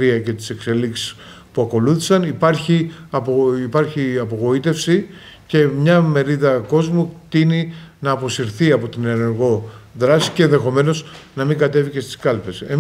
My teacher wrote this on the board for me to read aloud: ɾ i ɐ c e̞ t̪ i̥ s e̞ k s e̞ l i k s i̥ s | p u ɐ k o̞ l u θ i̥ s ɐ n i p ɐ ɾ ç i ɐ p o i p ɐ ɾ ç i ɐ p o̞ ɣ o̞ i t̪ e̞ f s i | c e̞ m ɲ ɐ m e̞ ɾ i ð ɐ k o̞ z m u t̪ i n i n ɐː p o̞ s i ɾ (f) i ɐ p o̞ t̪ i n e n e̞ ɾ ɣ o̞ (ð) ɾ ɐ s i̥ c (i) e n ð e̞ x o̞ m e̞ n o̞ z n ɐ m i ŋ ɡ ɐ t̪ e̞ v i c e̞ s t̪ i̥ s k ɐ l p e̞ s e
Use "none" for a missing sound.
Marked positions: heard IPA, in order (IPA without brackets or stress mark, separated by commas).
θ, ð, e